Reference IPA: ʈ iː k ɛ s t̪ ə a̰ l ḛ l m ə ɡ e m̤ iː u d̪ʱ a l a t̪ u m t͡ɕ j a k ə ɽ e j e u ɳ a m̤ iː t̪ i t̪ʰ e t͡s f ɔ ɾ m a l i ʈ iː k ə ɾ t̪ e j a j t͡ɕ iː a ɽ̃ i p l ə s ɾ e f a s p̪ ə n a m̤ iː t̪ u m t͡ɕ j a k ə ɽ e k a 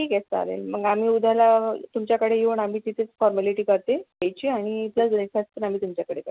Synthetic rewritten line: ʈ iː k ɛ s t̪ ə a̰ l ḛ l m ə ɡ a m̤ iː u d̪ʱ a l a t̪ u m t͡ɕ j a k ə ɽ e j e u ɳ a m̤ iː t̪ i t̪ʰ e t͡s f ɔ ɾ m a l i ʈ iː k ə ɾ t̪ e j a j t͡ɕ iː a ɽ̃ i p l ə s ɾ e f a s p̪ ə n a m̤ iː t̪ u m t͡ɕ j a k ə ɽ e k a